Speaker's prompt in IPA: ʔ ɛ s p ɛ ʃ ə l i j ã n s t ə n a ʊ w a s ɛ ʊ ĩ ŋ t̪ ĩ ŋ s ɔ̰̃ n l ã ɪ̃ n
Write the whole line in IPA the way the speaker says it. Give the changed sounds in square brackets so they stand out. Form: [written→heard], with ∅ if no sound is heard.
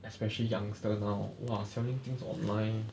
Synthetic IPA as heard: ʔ ɛ s p ɛ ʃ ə l i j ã [n→ŋ] s t ə n a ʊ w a s ɛ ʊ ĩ ŋ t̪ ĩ ŋ s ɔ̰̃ n l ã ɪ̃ n